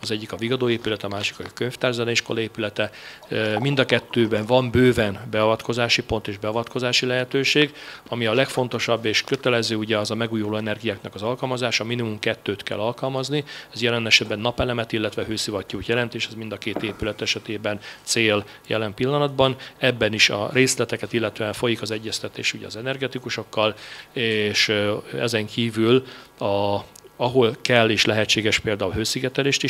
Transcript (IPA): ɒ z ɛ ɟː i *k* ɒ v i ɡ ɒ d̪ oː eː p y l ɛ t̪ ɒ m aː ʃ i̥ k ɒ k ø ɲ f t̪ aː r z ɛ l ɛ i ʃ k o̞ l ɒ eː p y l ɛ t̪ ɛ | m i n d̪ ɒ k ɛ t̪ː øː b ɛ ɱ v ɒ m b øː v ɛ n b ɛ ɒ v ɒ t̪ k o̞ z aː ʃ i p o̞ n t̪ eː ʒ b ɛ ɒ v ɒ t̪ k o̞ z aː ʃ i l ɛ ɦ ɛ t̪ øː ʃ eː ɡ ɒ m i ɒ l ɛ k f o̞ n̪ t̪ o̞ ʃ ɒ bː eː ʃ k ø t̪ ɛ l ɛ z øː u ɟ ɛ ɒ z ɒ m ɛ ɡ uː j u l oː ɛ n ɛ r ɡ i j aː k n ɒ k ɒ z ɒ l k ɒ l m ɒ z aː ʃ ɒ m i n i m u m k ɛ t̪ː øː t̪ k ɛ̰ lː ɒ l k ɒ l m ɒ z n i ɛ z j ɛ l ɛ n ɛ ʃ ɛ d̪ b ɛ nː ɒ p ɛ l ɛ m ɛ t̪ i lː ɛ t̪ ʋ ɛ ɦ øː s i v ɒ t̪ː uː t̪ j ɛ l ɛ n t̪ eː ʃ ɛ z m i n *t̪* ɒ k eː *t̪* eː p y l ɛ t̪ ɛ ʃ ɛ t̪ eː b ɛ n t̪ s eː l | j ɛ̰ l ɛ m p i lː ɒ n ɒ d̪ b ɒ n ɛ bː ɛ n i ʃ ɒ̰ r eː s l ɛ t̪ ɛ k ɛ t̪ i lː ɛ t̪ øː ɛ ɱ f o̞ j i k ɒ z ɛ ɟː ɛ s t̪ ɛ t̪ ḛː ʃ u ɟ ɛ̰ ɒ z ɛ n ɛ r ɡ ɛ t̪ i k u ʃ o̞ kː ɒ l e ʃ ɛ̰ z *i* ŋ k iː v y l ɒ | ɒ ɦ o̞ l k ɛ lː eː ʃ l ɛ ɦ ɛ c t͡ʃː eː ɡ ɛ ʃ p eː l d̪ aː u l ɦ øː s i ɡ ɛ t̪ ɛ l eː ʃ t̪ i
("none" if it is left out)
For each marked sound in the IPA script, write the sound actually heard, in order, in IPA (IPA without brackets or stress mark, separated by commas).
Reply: k, d̪, t̪, ɛ